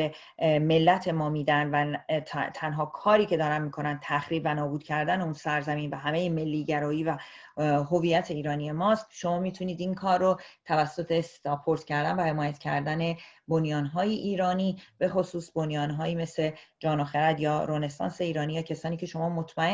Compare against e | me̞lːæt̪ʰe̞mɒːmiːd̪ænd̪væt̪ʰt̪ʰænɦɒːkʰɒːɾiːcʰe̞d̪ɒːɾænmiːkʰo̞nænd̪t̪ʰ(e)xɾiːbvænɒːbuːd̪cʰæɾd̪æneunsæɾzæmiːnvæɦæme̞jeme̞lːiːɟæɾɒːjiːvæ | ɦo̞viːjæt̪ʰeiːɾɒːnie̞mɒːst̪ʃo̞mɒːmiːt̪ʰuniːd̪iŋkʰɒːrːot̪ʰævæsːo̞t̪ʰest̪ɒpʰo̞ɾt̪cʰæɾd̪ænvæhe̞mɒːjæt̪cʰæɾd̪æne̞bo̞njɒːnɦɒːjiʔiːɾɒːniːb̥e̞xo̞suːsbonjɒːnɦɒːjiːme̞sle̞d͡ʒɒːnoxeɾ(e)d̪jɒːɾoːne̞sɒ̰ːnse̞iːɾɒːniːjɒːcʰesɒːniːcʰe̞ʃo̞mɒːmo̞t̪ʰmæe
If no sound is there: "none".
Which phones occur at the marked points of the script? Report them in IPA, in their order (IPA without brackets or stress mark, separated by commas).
æ, æ